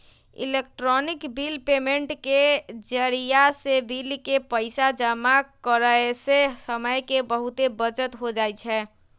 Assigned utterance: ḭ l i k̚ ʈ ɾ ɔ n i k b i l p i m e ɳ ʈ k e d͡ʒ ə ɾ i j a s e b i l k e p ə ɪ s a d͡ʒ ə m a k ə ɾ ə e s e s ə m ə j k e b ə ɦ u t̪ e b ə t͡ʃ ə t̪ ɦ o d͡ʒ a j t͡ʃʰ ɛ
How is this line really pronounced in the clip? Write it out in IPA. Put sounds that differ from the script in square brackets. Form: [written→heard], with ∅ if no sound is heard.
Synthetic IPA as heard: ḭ l [i→e] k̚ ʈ ɾ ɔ n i k b i l p [i→e] m e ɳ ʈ k e d͡ʒ ə ɾ i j a s e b i l k e p ə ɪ s a d͡ʒ ə m a k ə ɾ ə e s e s ə m ə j k e b ə ɦ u t̪ e b ə t͡ʃ ə t̪ ɦ o d͡ʒ a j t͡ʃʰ ɛ